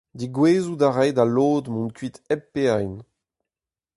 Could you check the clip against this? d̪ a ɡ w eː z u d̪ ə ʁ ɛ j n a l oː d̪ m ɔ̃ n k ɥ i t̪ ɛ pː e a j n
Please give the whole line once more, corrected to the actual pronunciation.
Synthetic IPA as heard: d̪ i ɡ w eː z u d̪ a ʁ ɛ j d a l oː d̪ m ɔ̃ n k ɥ i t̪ ɛ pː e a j n